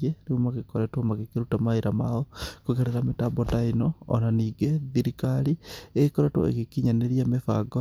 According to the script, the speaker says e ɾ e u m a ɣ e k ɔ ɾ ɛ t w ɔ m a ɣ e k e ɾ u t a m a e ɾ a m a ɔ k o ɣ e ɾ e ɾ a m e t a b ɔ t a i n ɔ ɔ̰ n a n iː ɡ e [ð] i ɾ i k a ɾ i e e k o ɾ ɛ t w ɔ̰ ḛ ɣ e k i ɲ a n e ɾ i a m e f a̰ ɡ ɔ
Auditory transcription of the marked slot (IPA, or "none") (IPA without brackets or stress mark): ð